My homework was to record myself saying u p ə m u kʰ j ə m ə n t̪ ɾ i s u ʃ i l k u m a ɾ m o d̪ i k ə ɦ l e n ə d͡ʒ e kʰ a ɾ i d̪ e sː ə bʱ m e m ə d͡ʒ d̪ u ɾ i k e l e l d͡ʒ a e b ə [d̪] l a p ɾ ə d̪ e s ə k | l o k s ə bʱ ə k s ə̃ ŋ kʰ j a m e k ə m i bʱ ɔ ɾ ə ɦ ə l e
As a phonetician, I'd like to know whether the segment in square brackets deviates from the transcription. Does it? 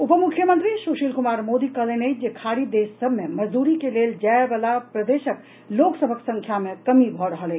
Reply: yes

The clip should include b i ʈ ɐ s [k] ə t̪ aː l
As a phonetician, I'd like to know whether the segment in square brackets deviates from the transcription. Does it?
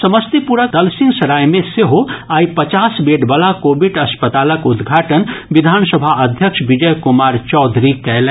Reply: yes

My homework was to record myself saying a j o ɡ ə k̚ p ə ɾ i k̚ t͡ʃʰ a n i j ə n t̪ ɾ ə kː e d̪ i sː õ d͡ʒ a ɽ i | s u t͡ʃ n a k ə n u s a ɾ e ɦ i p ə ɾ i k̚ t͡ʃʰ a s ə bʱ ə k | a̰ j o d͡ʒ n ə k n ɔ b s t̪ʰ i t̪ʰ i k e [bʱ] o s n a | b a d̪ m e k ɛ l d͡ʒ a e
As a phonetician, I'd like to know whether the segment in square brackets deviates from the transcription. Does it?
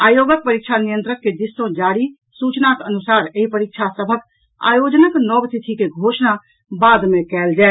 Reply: yes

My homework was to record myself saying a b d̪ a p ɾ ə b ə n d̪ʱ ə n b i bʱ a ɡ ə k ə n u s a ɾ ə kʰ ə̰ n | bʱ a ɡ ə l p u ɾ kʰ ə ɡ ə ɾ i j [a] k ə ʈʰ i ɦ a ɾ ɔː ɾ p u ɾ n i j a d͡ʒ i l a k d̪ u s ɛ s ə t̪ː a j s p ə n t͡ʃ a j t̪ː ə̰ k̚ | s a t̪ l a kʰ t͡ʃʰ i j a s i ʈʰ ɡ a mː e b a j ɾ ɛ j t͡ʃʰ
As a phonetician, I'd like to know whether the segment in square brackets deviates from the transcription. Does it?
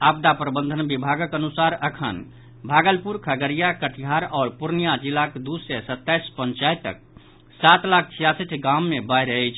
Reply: no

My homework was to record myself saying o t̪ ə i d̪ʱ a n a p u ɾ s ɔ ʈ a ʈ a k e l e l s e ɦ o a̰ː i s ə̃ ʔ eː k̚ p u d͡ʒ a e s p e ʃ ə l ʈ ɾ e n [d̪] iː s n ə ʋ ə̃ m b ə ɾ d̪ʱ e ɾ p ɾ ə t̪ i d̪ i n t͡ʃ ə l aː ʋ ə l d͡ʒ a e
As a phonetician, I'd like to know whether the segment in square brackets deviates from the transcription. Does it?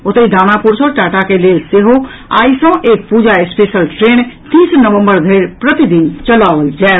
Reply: yes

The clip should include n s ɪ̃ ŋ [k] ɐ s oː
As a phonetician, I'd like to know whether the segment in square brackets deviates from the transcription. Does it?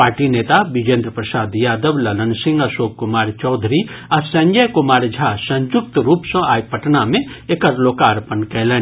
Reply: yes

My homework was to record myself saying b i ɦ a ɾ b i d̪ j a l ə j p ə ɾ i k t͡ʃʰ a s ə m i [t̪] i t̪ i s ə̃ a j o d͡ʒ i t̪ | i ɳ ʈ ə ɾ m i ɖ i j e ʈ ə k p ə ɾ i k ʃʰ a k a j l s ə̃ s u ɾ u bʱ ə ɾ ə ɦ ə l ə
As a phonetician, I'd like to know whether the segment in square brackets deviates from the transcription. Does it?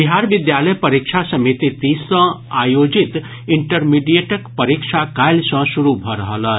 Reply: no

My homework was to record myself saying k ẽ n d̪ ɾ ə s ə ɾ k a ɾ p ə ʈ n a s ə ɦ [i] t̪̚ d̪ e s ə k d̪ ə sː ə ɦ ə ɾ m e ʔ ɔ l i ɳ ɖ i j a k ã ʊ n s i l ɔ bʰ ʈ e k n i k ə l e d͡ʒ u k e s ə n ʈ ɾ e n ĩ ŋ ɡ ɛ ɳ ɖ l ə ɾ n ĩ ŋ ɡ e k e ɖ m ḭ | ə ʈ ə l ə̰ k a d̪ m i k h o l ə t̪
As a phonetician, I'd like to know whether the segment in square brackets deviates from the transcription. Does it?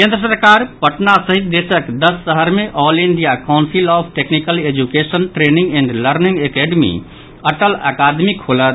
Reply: no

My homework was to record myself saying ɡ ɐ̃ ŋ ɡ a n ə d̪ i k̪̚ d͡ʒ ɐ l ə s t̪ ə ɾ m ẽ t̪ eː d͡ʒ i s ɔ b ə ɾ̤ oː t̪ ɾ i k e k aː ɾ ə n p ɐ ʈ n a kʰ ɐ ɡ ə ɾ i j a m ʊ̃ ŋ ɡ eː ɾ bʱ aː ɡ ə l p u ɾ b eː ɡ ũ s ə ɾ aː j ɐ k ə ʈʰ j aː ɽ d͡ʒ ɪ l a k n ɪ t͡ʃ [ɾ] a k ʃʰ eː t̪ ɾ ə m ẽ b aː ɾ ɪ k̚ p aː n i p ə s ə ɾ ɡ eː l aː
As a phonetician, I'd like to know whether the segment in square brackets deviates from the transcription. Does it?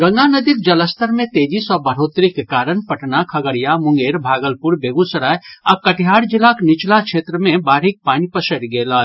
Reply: yes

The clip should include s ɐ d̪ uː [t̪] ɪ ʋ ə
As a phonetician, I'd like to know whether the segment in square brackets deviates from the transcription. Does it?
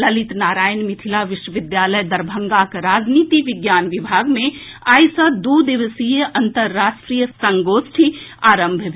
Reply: yes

